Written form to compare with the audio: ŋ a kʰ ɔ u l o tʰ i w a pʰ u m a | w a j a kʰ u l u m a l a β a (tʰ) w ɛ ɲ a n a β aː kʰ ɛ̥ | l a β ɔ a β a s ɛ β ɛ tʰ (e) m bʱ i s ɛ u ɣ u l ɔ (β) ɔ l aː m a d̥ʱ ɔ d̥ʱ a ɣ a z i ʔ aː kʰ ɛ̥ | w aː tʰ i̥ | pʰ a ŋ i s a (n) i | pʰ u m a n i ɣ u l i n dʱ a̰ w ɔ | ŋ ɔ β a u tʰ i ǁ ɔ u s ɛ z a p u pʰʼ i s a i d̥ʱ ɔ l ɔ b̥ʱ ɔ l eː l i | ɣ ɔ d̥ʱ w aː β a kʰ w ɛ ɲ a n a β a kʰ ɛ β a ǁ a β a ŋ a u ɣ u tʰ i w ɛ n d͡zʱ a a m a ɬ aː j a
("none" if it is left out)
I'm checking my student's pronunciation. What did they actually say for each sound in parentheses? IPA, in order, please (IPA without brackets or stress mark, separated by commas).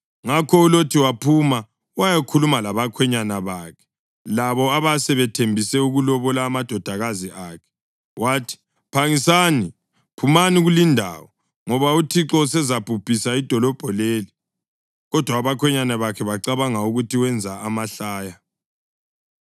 kʰ, e, β, n